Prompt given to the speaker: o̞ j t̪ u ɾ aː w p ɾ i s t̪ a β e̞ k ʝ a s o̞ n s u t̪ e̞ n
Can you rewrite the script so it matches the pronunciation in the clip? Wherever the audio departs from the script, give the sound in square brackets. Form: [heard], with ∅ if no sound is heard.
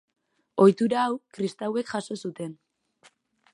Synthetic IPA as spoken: o̞ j t̪ u ɾ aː w [k] ɾ i s t̪ a [w] e̞ k ʝ a s o̞ [∅] s u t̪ e̞ n